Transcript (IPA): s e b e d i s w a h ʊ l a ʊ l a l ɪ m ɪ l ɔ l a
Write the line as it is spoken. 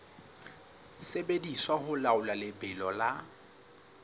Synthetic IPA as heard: s e b e d i s w a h ʊ l a ʊ l a l ɪ b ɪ l ɔ l a